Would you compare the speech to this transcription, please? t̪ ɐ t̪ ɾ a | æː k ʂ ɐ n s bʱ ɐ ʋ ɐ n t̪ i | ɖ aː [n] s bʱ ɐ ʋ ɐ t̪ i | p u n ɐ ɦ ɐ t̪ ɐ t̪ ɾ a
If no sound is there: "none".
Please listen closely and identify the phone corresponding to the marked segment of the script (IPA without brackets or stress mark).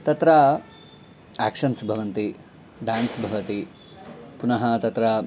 n